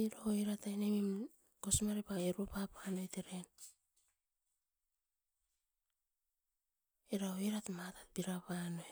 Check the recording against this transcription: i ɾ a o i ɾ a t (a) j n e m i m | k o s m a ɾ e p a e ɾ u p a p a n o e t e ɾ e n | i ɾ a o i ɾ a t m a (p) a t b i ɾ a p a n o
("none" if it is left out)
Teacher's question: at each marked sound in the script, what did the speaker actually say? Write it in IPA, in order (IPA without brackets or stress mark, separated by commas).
a, t